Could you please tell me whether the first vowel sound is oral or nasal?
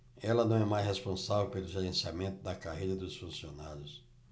oral